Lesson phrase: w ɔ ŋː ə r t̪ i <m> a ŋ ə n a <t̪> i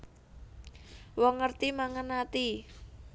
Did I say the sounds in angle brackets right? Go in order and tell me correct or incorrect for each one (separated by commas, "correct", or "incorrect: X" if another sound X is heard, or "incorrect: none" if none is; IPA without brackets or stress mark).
correct, correct